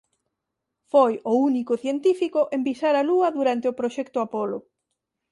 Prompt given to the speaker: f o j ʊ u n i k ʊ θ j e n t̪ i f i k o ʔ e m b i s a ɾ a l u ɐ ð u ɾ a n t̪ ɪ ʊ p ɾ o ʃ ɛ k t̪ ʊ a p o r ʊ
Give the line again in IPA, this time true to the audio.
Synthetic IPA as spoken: f o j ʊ u n i k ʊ θ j e n t̪ i f i k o ʔ e m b i s a ɾ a l u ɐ ð u ɾ a n t̪ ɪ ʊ p ɾ o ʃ ɛ k t̪ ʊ a p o l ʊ